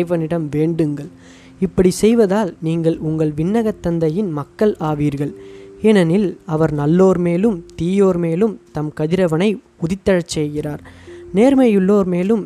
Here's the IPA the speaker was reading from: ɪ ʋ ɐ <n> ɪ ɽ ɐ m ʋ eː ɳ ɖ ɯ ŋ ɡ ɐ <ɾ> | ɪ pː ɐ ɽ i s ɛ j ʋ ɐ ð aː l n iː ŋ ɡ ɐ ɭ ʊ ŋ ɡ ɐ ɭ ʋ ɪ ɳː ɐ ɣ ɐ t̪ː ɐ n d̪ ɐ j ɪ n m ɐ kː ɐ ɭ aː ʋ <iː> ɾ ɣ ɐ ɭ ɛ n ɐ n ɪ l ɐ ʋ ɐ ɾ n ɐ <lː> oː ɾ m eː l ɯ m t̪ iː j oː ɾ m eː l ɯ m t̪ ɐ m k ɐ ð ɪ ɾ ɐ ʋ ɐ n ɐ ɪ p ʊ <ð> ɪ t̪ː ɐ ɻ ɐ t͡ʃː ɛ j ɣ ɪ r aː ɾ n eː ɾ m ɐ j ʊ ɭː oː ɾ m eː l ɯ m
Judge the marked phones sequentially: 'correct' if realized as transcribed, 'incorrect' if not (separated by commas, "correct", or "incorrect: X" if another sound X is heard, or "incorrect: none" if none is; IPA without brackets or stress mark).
correct, incorrect: ɭ, correct, correct, correct